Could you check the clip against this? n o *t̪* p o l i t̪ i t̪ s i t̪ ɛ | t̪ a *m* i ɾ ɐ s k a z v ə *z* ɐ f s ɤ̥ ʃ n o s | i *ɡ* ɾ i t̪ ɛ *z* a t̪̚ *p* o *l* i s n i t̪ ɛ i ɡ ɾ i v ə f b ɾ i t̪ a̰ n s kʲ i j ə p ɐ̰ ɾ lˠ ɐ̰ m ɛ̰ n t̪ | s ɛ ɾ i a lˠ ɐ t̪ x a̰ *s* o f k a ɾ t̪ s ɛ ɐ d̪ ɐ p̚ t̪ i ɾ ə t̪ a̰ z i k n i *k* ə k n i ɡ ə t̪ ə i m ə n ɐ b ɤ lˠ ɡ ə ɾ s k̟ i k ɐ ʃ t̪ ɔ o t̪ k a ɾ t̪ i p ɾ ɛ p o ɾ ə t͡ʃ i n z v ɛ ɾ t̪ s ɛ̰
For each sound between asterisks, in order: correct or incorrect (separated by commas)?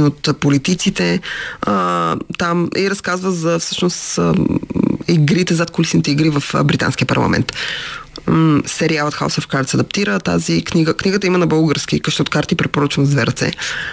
correct, correct, correct, correct, correct, incorrect, correct, correct, incorrect